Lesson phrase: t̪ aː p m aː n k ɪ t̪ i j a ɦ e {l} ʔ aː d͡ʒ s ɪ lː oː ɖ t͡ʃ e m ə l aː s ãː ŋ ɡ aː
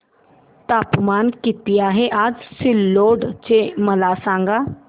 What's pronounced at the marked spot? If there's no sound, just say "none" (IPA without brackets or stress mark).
none